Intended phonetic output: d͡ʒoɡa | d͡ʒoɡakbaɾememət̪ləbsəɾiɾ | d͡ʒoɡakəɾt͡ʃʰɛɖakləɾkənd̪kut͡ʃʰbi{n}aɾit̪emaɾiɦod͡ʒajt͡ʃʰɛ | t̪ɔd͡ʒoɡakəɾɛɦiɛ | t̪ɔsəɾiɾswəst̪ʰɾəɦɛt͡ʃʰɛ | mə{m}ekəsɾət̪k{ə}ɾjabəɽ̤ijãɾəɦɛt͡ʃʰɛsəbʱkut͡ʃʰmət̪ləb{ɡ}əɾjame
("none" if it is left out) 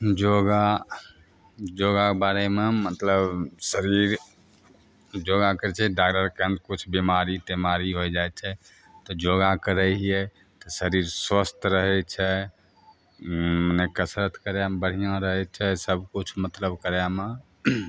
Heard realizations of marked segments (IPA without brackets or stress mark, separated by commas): m, n, ə, k